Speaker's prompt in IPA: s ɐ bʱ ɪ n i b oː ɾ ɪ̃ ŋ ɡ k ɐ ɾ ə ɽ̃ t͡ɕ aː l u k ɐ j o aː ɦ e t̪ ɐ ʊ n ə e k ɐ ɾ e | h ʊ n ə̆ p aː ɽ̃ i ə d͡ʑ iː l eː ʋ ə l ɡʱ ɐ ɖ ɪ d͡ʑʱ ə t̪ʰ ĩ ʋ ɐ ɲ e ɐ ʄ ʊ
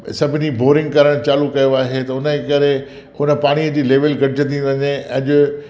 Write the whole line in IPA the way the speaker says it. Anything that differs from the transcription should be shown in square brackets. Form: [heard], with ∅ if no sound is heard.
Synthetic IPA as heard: s ɐ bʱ ɪ n i b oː ɾ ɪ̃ ŋ ɡ k ɐ ɾ ə ɽ̃ t͡ɕ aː l u k ɐ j o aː ɦ e t̪ ɐ ʊ n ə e k ɐ ɾ e | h ʊ n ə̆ p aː ɽ̃ i ə d͡ʑ iː l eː ʋ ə l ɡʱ ɐ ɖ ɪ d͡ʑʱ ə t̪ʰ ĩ ʋ ɐ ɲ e ɐ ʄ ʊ